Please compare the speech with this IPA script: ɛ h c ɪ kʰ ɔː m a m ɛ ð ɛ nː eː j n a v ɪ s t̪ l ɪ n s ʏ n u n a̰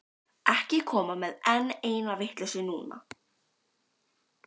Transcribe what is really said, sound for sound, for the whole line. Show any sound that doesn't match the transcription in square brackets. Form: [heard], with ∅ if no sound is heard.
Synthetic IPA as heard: ɛ h c ɪ kʰ ɔː m a m ɛ ð ɛ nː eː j n a v ɪ [h] t̪ l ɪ [∅] s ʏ n [uː] n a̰